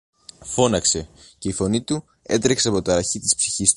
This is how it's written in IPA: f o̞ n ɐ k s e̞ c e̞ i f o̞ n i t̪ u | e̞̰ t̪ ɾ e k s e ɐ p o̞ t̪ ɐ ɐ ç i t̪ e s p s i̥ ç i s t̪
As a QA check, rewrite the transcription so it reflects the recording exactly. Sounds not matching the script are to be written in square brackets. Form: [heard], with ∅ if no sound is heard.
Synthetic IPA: f o̞ n ɐ k s e̞ c e̞ i f o̞ n i t̪ u | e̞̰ t̪ ɾ e k s e ɐ p o̞ t̪ ɐ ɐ ç i t̪ [i] s p s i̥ ç i s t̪